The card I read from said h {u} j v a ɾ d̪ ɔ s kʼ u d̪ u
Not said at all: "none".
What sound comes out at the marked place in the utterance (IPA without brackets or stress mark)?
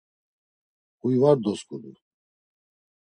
u